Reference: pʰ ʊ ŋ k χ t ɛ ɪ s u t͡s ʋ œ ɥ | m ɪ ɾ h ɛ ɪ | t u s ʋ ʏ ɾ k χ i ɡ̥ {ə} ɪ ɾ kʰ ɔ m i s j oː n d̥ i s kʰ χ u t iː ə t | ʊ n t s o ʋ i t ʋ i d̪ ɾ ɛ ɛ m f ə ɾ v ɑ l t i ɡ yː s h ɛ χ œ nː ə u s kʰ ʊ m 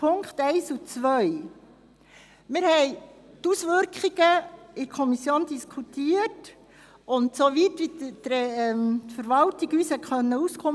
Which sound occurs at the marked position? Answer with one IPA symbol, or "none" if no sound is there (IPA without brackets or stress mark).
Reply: ə